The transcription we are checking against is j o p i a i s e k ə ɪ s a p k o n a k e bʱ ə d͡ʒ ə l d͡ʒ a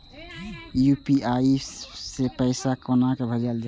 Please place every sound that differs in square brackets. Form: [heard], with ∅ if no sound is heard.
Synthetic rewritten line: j [u] p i a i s e [p] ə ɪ s a [∅] k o n a k e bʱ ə d͡ʒ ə l d͡ʒ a